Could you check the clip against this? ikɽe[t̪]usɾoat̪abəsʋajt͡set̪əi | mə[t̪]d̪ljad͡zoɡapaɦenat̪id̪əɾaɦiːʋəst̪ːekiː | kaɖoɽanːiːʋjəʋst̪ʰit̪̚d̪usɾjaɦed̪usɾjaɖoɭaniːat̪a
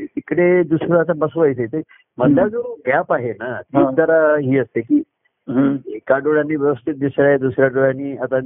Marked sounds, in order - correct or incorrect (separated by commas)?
incorrect, incorrect